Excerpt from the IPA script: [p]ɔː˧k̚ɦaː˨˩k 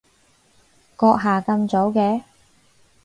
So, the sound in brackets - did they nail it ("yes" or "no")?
no